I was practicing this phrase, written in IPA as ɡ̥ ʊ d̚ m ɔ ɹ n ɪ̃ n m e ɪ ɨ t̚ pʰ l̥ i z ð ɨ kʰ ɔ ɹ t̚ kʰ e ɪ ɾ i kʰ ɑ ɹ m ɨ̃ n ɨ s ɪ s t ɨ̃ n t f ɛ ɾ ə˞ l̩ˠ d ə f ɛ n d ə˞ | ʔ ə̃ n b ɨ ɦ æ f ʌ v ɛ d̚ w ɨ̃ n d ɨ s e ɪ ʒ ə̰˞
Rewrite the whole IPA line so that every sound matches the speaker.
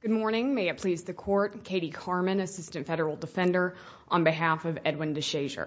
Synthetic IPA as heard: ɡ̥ ʊ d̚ m ɔ ɹ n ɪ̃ ŋ m e ɪ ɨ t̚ pʰ l̥ i z ð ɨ kʰ ɔ ɹ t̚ kʰ e ɪ ɾ i kʰ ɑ ɹ m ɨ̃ n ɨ s ɪ s t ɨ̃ n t f ɛ ɾ ə˞ l̩ˠ d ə f ɛ̃ n d ə˞ | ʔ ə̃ n b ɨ ɦ æ f ʌ v ɛ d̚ w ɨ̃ n d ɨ ʃ e ɪ ʒ ə̰˞